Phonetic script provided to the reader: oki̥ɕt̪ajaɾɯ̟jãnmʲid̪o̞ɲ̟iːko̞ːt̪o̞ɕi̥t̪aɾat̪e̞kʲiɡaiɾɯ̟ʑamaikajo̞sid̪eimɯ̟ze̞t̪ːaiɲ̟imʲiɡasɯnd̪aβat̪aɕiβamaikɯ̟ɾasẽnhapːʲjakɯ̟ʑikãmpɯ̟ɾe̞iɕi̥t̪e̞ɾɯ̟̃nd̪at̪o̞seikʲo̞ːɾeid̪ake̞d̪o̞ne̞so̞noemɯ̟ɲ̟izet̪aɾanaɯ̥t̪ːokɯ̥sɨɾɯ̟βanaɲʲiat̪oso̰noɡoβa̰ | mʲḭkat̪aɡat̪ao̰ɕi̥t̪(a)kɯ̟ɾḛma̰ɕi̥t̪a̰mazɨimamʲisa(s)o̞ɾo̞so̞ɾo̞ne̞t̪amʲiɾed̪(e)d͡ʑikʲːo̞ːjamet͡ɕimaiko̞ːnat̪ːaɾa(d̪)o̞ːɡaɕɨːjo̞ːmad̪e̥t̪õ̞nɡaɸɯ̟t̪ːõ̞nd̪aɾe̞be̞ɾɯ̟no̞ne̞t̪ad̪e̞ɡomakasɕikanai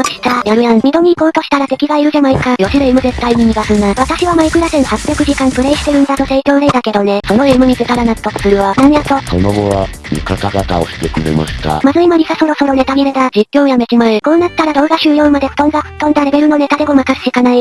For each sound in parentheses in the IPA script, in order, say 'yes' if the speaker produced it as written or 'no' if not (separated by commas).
no, yes, no, yes